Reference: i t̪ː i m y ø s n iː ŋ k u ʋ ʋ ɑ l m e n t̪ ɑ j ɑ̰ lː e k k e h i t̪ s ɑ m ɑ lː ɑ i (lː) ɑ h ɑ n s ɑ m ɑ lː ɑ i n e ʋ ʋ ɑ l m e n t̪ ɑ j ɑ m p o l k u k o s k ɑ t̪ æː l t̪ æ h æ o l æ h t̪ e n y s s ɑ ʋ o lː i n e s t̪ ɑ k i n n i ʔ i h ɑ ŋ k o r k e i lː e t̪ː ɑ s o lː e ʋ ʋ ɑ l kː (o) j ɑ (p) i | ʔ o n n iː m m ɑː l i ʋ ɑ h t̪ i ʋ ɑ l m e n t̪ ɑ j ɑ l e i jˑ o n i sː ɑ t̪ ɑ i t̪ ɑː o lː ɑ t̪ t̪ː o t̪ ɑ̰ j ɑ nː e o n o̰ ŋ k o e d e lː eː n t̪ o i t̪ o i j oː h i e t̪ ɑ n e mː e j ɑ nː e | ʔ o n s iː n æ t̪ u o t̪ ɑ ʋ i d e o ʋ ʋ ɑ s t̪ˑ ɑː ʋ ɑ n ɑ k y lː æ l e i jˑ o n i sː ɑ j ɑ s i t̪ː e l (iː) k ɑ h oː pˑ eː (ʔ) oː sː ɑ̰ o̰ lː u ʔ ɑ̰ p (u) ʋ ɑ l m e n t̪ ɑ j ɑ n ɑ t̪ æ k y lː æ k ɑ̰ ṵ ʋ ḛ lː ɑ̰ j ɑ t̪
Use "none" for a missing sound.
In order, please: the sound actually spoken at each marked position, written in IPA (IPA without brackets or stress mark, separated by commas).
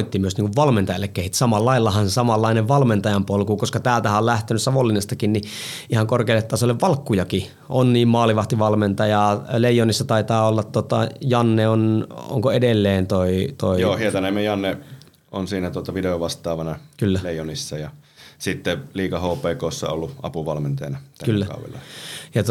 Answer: lː, u, k, iː, k, u